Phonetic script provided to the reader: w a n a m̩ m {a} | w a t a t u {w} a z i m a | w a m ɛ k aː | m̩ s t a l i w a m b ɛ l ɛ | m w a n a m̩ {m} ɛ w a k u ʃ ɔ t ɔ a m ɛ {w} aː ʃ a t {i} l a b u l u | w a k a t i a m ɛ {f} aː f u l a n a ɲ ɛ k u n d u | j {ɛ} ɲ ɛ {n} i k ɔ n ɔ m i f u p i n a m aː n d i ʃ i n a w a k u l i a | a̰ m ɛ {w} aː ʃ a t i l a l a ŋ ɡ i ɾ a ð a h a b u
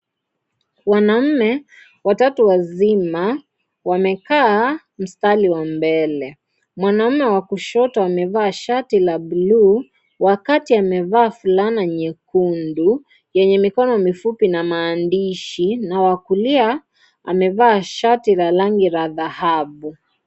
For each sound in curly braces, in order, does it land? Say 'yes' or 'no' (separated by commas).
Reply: no, yes, yes, no, yes, no, yes, no, no